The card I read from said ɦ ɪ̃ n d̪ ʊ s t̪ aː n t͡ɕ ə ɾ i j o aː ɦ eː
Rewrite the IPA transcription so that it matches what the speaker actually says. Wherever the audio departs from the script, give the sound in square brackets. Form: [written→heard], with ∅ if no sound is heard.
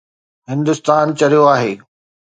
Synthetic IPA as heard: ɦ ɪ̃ n d̪ ʊ s t̪ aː n t͡ɕ [ə→ɐ] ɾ i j o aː ɦ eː

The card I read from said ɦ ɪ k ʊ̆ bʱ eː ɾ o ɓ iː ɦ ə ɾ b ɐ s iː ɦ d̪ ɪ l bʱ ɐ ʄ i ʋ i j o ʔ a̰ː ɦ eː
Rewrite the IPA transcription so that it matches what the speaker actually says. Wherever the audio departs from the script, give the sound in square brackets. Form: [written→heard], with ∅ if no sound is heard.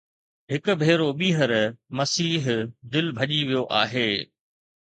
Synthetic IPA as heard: ɦ ɪ k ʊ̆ bʱ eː ɾ o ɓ iː ɦ ə ɾ [b→m] ɐ s iː ɦ d̪ ɪ l bʱ ɐ ʄ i ʋ i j o ʔ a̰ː ɦ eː

